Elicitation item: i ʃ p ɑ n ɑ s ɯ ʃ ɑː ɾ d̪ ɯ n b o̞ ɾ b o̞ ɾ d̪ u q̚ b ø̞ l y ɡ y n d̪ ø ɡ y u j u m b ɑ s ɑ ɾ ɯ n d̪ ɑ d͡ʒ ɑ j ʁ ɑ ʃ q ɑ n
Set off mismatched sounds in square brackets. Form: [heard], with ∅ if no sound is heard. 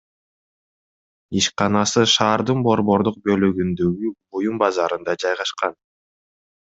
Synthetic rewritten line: i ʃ [q] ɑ n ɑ s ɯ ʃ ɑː ɾ d̪ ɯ n b o̞ ɾ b o̞ ɾ d̪ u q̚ b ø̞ l y ɡ y n d̪ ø ɡ y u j u m b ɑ [z] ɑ ɾ ɯ n d̪ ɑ d͡ʒ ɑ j ʁ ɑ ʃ q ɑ n